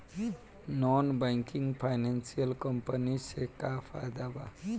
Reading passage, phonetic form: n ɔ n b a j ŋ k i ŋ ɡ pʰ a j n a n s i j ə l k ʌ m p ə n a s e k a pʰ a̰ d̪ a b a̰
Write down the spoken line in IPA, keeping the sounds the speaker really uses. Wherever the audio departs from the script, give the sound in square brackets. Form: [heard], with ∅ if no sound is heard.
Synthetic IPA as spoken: n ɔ n b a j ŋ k i ŋ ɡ pʰ a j n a n s i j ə l k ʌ m p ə n [i] s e k a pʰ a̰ d̪ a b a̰